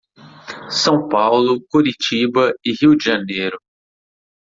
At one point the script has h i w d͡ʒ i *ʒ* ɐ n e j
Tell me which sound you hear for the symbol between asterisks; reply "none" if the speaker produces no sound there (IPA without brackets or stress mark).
ʒ